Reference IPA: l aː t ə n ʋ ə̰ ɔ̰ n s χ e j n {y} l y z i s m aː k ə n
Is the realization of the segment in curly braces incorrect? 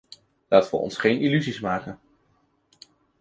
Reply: yes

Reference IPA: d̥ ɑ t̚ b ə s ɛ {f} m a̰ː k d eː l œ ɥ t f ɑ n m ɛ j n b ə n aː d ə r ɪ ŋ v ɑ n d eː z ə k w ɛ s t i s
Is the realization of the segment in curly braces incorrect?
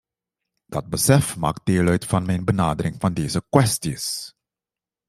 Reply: no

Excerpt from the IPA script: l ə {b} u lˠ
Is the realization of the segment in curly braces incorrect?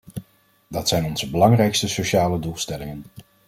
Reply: yes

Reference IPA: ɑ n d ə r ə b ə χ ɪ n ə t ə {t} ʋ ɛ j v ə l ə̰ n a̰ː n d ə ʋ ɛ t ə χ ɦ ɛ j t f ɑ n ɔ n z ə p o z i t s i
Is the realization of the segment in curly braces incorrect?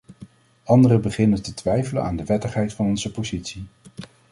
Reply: no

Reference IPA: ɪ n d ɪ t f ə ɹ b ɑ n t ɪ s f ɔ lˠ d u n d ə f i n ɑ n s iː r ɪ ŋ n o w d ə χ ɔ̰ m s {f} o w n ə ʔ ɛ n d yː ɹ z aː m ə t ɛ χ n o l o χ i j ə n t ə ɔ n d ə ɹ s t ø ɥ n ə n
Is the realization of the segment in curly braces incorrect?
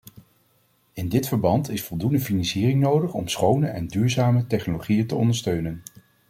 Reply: yes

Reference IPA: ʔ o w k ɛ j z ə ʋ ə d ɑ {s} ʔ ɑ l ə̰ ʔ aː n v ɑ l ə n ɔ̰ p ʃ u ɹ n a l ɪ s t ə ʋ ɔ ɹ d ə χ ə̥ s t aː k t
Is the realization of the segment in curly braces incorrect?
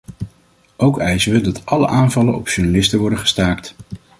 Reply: yes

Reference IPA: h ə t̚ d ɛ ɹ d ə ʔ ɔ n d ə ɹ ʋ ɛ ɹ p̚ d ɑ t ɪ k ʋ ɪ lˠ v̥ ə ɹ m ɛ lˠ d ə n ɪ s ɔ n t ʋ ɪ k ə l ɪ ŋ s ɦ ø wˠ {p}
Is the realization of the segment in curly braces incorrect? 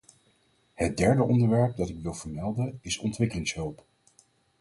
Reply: no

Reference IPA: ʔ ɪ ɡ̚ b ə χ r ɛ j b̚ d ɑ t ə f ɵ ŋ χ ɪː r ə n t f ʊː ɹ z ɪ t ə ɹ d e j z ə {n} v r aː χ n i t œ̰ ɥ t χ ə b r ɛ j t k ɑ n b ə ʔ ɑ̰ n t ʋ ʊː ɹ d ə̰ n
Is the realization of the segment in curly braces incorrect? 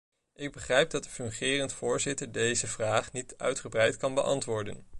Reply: yes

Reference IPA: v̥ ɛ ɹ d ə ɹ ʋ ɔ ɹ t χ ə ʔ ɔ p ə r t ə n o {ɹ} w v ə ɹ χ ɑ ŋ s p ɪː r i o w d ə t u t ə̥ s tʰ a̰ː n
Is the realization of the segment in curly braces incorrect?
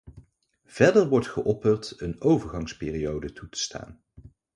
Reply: yes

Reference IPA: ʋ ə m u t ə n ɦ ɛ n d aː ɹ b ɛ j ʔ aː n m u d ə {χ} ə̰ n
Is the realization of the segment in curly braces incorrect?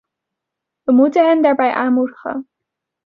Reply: no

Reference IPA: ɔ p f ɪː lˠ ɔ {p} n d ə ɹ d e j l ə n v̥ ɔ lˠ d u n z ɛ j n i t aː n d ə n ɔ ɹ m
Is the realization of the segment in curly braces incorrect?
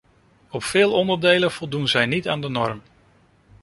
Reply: yes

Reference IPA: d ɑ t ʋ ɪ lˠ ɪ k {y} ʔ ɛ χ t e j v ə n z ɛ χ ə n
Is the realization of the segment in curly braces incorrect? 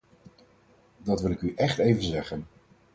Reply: no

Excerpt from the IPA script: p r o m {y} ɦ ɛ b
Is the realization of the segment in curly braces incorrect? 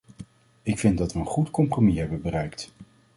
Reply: yes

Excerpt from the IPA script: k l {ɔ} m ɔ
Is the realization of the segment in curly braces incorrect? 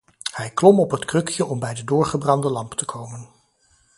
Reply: no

